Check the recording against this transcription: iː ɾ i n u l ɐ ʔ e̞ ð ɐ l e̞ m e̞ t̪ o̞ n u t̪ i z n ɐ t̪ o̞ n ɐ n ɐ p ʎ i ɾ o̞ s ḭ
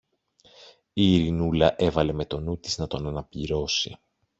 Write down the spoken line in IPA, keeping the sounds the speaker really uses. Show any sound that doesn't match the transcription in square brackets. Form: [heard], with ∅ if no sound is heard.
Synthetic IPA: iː ɾ i n u l ɐ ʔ e̞ [v] ɐ l e̞ m e̞ t̪ o̞ n u t̪ i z n ɐ t̪ o̞ n ɐ n ɐ p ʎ i ɾ o̞ s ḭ